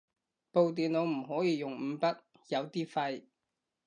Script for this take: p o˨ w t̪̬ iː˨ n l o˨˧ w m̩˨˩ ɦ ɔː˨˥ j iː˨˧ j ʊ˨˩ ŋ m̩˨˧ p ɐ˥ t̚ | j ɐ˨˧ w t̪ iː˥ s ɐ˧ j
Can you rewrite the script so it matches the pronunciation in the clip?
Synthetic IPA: p o˨ w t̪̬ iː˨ n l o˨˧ w m̩˨˩ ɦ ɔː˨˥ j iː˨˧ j ʊ˨˩ ŋ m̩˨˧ p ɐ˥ t̚ | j ɐ˨˧ w t̪ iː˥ f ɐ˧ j

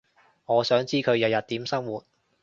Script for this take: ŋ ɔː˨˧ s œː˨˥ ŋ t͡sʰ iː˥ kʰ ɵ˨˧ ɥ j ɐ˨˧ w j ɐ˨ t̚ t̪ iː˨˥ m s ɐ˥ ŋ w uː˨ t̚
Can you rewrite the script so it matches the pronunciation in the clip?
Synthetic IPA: ŋ ɔː˨˧ s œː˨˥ ŋ t͡s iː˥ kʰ ɵ˨˧ ɥ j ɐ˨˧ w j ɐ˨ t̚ t̪ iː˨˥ m s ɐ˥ ŋ w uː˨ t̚

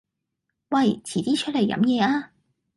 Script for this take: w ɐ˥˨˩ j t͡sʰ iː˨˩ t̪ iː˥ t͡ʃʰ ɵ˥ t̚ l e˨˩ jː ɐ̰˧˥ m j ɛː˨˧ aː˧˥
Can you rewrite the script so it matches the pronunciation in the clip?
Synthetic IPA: w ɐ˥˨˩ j t͡sʰ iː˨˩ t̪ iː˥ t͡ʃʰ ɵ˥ t̚ l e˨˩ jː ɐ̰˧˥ m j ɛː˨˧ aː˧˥

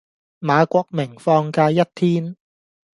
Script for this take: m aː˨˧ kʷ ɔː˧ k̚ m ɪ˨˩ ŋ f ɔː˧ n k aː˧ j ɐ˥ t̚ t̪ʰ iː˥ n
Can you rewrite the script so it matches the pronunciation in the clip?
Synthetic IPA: m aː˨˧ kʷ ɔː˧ k̚ m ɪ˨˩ ŋ f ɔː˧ ŋ k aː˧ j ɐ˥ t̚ t̪ʰ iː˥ n

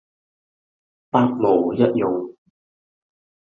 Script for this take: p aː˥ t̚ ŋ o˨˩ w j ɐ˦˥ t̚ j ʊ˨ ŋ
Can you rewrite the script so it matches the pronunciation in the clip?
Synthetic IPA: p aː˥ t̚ m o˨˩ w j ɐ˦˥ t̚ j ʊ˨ ŋ

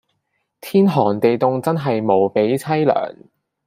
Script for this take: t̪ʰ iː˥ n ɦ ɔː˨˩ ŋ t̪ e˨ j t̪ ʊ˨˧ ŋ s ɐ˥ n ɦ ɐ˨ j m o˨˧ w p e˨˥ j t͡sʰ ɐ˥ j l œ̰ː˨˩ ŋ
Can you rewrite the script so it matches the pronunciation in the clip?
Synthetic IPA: t̪ʰ iː˥ n ɦ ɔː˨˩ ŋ t̪ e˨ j t̪ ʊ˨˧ ŋ t͡s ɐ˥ n ɦ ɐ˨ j m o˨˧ w p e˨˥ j t͡sʰ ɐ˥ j l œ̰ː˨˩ ŋ

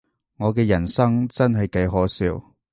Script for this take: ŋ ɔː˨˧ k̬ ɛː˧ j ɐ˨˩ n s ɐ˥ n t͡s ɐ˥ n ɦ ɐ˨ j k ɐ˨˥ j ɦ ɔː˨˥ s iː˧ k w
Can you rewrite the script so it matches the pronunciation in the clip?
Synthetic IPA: ŋ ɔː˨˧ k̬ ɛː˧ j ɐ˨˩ n s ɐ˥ ŋ t͡s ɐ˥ n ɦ ɐ˨ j k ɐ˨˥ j ɦ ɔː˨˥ s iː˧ w

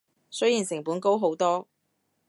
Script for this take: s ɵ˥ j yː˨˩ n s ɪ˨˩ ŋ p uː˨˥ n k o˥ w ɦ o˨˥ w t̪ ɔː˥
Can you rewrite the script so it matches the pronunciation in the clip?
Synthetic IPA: s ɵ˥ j iː˨˩ n s ɪ˨˩ ŋ p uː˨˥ n k o˥ w ɦ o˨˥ w t̪ ɔː˥

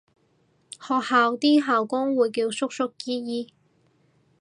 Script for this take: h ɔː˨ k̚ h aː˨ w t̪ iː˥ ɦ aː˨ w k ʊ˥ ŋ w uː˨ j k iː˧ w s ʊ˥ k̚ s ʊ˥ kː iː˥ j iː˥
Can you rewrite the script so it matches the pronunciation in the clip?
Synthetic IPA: h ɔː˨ k̚ h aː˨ w t̪ iː˥ ɦ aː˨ w k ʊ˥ ŋ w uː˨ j k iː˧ w s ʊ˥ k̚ s ʊ˥ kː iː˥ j iː˥

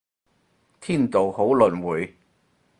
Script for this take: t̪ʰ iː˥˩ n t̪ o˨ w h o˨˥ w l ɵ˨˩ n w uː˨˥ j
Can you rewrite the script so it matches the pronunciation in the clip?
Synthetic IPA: t̪ʰ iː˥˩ n t̪ o˨ w h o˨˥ w l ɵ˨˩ n w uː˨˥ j

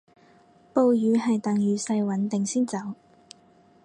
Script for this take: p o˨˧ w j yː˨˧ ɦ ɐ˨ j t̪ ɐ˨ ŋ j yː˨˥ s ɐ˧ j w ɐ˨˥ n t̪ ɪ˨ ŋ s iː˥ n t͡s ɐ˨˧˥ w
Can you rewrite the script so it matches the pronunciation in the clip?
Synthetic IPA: p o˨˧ w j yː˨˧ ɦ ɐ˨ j t̪ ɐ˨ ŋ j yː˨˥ s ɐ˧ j w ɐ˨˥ n t̪ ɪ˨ ŋ s iː˥ n t͡s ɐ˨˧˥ w

